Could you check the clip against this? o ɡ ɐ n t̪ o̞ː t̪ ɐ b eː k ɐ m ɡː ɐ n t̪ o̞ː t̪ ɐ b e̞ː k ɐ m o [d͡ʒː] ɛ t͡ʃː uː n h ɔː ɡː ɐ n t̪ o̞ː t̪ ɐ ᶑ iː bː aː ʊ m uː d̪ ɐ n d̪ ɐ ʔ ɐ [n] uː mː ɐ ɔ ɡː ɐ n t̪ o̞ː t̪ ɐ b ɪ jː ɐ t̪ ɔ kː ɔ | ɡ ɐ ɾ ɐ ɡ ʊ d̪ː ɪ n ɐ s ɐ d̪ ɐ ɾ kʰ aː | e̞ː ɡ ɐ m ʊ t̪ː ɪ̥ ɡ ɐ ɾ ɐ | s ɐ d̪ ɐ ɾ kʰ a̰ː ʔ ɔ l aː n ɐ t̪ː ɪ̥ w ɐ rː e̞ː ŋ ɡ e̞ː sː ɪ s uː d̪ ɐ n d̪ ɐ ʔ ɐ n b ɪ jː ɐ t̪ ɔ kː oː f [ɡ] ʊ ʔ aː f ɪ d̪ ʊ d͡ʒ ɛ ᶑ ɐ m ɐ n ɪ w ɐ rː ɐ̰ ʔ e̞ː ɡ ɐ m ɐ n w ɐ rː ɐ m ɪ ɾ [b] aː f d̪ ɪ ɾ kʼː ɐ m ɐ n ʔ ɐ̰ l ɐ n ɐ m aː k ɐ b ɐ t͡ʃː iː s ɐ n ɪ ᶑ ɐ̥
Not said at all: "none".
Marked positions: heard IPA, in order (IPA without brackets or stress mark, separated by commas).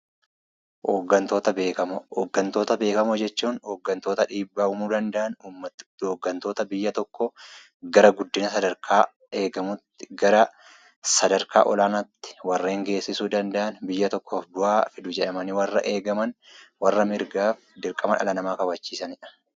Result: d͡ʒ, n, b, ɡ